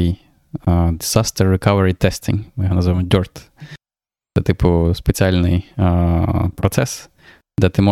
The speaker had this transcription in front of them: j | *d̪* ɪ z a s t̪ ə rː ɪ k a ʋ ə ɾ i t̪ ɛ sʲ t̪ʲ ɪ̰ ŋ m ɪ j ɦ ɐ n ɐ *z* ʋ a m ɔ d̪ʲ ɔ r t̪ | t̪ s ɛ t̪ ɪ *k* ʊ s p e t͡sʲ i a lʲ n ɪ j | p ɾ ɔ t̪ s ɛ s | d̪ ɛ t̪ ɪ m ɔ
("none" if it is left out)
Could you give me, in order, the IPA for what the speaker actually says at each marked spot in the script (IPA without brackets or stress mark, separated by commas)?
d̪, z, p